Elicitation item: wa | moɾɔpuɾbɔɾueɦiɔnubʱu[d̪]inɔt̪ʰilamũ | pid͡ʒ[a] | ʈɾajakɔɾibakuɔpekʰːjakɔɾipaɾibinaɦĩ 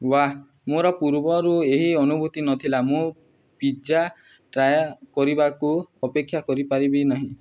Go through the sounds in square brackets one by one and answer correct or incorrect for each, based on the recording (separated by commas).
incorrect, correct